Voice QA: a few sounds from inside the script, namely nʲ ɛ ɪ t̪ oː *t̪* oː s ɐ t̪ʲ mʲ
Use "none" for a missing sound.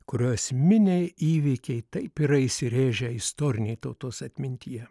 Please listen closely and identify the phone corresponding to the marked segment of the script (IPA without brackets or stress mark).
t̪